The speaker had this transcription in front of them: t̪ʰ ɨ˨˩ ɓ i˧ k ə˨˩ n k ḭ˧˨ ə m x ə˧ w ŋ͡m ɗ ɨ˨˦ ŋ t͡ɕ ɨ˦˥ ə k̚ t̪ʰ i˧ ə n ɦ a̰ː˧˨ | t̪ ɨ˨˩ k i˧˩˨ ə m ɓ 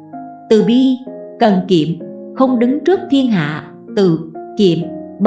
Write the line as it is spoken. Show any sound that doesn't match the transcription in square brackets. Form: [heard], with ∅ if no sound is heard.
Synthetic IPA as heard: [t̪] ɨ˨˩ ɓ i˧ k ə˨˩ n k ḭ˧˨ ə m x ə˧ w ŋ͡m ɗ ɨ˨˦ ŋ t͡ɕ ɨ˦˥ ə k̚ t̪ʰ i˧ ə n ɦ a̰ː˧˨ | t̪ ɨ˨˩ k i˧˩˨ ə m ɓ

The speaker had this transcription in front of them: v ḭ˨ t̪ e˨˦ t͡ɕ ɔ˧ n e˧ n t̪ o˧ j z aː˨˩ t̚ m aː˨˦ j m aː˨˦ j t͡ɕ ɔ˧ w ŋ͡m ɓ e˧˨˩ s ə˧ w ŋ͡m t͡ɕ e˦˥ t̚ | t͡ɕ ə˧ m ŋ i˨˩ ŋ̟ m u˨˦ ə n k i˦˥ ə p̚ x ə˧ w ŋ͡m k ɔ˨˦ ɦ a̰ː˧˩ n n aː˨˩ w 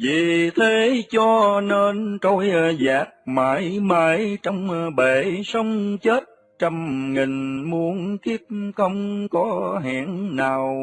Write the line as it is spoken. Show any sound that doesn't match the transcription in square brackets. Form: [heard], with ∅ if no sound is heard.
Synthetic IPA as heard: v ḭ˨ [t̪ʰ] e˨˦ t͡ɕ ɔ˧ n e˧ n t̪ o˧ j z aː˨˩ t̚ m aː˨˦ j m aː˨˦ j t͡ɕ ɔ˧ w ŋ͡m ɓ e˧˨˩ s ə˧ w ŋ͡m t͡ɕ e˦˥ t̚ | t͡ɕ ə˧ m ŋ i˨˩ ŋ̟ m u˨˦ ə n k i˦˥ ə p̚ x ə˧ w ŋ͡m k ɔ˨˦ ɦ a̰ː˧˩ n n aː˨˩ w

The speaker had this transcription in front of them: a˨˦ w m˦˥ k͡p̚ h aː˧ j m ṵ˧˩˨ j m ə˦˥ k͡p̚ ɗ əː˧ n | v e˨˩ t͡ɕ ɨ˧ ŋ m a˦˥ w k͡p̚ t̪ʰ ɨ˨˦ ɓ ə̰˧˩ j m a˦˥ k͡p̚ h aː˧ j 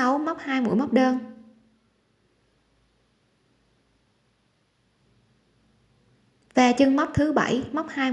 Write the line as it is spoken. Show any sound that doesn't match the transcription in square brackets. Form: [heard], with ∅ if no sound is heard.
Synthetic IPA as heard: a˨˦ w m˦˥ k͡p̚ h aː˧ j m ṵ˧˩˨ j m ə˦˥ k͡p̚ ɗ əː˧ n | v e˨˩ t͡ɕ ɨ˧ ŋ m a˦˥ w k͡p̚ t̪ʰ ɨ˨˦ ɓ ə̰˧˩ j m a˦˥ k͡p̚ h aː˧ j

